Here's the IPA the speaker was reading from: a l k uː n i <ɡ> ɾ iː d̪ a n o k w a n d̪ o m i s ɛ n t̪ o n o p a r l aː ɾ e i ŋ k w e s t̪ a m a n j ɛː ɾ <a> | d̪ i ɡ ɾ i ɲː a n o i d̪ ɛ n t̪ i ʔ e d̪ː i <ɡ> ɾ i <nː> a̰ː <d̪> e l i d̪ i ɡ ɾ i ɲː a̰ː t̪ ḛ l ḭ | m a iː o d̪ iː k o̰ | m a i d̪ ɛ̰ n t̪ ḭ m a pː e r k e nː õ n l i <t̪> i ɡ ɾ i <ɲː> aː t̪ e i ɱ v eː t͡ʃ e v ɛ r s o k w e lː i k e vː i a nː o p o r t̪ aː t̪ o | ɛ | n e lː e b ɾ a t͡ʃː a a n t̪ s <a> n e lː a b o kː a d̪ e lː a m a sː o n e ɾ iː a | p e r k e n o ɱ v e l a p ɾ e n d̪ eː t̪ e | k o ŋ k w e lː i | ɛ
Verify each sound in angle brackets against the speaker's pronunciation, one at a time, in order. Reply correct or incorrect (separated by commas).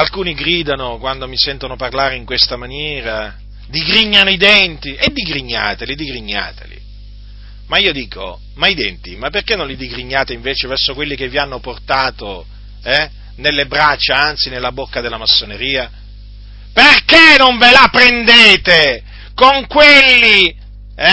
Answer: correct, correct, correct, incorrect, incorrect, incorrect, correct, incorrect